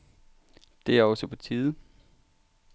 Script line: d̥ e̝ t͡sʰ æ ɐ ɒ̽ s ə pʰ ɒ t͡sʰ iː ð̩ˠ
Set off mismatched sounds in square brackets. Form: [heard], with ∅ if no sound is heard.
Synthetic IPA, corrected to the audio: d̥ e̝ [∅] æ ɐ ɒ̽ s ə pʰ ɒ t͡sʰ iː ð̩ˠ